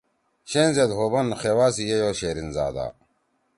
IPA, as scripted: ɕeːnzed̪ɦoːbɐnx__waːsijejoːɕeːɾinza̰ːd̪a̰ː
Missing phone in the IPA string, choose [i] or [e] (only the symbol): e